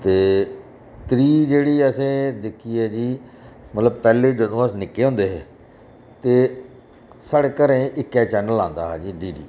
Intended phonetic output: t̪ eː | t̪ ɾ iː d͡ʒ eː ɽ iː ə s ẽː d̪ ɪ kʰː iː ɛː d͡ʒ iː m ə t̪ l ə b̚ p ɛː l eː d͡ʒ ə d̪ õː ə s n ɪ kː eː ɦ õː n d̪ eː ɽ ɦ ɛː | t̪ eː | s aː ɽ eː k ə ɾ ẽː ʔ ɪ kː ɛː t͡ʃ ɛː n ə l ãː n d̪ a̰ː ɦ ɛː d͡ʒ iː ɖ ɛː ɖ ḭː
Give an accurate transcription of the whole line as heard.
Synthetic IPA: t̪ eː | t̪ ɾ iː d͡ʒ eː ɽ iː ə s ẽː d̪ ɪ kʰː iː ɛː d͡ʒ iː m ə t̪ l ə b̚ p ɛː l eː d͡ʒ ə d̪ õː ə s n ɪ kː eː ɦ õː n d̪ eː ɦ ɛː | t̪ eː | s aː ɽ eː k ə ɾ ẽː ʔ ɪ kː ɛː t͡ʃ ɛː n ə l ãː n d̪ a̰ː ɦ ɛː d͡ʒ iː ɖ iː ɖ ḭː